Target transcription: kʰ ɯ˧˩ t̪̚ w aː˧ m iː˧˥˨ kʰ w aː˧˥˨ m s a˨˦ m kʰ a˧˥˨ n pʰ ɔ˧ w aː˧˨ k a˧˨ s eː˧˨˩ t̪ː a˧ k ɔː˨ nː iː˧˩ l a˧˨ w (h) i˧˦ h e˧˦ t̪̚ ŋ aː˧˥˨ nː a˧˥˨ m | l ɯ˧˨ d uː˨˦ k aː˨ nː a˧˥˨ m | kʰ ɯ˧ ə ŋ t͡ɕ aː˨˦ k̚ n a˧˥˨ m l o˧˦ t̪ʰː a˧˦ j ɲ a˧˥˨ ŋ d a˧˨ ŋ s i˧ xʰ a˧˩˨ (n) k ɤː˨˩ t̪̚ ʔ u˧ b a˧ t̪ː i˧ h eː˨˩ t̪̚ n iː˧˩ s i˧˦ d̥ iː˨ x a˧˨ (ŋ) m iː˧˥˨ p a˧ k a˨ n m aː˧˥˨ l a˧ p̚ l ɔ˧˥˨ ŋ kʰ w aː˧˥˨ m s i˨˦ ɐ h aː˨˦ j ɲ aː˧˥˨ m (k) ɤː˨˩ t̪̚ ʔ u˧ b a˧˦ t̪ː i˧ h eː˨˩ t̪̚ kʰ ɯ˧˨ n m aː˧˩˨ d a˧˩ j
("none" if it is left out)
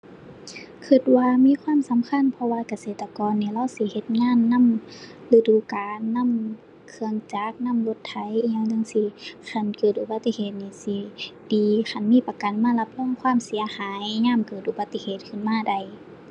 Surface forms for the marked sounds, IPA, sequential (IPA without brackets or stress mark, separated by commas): s, n, n, k